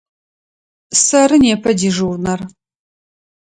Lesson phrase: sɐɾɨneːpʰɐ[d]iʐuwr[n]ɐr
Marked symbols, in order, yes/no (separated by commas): yes, yes